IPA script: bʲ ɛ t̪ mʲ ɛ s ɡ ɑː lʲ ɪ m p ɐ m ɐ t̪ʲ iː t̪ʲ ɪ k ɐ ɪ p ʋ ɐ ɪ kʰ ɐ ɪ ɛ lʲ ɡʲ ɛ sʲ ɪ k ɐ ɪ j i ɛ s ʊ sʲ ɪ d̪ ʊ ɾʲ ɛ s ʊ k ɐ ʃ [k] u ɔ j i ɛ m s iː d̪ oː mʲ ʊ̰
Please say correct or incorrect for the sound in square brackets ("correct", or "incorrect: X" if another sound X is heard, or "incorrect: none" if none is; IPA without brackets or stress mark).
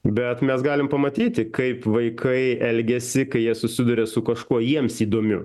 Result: correct